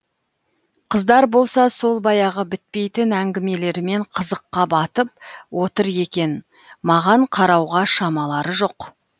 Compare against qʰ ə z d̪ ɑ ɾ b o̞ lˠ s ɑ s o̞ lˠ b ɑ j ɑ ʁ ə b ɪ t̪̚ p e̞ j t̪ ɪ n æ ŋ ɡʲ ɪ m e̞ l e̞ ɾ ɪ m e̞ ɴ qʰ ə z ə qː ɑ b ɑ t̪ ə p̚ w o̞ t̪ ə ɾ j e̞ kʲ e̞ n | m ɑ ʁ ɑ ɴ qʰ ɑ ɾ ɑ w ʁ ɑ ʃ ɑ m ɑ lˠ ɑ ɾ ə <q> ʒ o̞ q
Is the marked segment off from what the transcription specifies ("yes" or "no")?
yes